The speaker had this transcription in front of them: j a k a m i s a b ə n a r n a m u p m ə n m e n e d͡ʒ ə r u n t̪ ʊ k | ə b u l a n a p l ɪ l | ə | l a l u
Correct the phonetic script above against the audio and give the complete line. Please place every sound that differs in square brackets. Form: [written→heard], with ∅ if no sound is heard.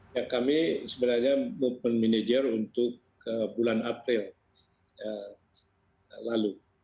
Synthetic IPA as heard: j a k a m i s [a→ə] b ə n a r [n→ɲ] a m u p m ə n m [e→i] n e d͡ʒ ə r u n t̪ ʊ k | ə b u l a n a p [l→ɾ] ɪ l | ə | l a l u